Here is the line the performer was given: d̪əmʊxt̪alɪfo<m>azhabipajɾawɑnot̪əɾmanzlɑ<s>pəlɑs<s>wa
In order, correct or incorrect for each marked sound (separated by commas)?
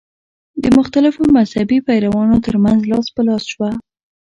correct, correct, incorrect